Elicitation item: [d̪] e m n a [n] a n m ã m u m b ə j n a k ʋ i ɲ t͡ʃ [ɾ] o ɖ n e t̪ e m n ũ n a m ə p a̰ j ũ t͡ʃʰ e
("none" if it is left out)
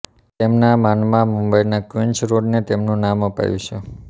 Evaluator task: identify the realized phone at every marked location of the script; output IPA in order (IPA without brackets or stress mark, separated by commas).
t̪, m, ɾ